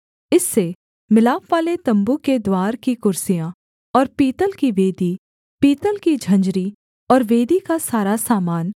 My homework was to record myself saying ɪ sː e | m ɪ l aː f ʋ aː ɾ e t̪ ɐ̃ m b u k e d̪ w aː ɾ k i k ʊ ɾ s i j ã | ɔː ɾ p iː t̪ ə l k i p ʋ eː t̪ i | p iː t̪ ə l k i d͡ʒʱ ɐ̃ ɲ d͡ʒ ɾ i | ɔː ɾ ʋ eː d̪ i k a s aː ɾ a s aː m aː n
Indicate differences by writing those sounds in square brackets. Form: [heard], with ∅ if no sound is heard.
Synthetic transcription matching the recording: ɪ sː e | m ɪ l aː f ʋ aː [l] e t̪ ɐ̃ m b u k e d̪ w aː ɾ k i k ʊ ɾ s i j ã | ɔː ɾ p iː t̪ ə l k i [∅] ʋ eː [d̪] i | p iː t̪ ə l k i d͡ʒʱ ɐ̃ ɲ d͡ʒ ɾ i | ɔː ɾ ʋ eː d̪ i k a s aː ɾ a s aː m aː n